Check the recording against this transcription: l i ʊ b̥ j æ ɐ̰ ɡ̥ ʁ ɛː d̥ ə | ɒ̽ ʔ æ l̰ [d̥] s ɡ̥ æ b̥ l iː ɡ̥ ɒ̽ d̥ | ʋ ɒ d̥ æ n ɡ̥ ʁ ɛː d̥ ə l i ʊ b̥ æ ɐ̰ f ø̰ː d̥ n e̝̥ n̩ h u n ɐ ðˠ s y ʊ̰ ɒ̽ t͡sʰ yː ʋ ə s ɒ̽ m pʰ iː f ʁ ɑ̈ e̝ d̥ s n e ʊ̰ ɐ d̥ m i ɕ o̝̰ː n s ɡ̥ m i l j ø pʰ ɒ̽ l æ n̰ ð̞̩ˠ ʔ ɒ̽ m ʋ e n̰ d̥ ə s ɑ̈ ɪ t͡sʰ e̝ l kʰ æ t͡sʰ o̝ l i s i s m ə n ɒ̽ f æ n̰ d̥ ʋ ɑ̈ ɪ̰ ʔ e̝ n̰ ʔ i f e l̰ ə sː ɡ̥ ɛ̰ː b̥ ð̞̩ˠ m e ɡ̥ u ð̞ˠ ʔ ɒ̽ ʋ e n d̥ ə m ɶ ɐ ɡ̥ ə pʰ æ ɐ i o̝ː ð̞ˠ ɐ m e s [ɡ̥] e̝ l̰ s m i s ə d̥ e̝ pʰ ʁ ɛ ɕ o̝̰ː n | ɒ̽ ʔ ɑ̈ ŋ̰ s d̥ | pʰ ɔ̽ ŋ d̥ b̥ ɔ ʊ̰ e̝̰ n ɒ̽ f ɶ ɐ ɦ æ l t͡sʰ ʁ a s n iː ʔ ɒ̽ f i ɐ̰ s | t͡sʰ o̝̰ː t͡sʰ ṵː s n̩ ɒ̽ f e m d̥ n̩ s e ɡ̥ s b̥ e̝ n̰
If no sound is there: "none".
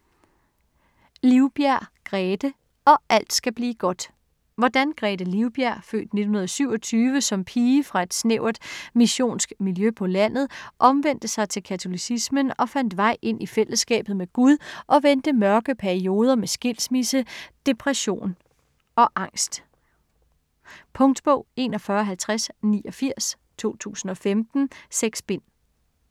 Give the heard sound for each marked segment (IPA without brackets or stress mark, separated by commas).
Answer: d̥, ɡ̥